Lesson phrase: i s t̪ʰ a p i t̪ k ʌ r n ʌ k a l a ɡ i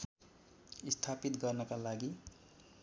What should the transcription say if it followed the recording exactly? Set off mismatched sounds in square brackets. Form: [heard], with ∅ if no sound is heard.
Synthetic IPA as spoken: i s t̪ʰ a p i t̪ [ɡ] ʌ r n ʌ k a l a ɡ i